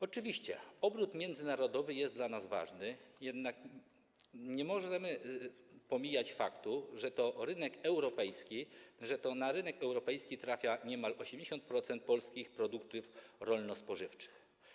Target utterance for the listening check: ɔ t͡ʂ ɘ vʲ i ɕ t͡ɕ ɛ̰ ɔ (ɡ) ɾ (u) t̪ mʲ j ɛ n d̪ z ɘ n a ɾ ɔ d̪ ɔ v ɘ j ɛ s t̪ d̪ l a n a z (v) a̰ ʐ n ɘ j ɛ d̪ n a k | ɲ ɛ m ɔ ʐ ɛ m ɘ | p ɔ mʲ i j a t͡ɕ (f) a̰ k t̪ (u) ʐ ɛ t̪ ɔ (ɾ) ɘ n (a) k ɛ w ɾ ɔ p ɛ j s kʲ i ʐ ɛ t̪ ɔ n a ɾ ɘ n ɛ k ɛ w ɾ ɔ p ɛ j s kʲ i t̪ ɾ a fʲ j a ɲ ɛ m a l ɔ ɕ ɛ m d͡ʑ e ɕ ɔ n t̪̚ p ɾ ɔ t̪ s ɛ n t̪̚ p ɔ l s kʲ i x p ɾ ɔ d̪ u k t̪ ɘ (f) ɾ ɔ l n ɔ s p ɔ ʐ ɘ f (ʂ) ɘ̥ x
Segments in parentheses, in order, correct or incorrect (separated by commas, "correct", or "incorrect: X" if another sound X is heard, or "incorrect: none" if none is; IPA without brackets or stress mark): incorrect: b, correct, correct, correct, correct, correct, incorrect: ɛ, correct, incorrect: t͡ʂ